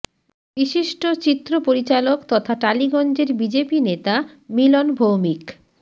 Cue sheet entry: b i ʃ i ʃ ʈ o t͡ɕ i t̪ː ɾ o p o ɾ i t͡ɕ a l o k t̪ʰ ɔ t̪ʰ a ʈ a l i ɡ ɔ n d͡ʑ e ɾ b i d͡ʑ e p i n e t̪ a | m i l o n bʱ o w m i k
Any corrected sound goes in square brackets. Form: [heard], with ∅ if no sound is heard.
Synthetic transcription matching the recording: b i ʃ i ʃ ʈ o t͡ɕ i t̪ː ɾ o p o ɾ i t͡ɕ a l o k [t̪] ɔ t̪ʰ a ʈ a l i ɡ ɔ n d͡ʑ e ɾ b i d͡ʑ e p i n e t̪ a | m i l o n bʱ o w m i k